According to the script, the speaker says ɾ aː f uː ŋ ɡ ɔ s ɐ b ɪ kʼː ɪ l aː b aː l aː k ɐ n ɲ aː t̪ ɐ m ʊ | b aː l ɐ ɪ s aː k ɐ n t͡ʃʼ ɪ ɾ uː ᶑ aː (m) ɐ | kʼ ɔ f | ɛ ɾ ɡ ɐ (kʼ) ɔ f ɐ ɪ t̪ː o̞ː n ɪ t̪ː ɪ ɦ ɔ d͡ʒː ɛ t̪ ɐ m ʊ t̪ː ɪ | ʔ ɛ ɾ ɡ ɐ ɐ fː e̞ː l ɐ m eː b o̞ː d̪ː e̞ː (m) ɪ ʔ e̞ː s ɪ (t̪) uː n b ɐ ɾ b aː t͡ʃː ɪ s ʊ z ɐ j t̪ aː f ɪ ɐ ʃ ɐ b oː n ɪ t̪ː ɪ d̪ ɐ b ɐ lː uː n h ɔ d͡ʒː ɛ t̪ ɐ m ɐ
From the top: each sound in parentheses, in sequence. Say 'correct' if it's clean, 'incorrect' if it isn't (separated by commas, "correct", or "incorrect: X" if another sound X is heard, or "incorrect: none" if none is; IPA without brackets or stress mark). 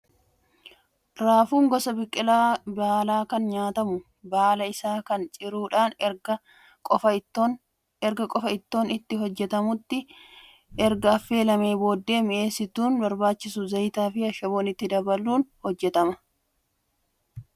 incorrect: n, correct, correct, correct